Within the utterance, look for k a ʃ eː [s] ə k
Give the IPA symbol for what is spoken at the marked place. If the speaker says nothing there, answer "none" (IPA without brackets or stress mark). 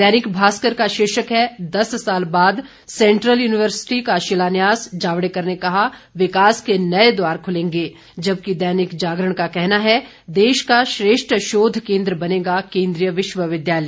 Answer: ʃ